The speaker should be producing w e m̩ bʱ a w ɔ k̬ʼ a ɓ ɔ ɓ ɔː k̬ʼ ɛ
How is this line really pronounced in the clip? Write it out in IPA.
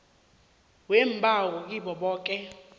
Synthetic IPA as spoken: w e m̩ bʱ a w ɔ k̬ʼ i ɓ ɔ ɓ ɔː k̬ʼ ɛ